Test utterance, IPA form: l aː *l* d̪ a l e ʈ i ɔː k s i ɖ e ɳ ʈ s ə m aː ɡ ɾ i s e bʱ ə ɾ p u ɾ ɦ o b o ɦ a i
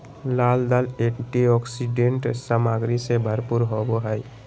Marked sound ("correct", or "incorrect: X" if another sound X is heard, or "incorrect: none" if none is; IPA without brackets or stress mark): correct